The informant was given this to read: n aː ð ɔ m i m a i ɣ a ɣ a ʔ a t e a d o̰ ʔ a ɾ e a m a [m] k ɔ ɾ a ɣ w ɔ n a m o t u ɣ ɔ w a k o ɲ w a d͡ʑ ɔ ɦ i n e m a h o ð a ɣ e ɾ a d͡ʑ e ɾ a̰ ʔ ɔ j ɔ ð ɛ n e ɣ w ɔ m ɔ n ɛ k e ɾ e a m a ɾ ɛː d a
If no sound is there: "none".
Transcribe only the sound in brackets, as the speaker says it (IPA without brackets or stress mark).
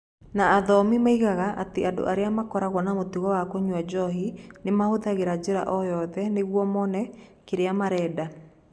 none